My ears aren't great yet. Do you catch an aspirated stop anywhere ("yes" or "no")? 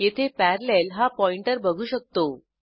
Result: yes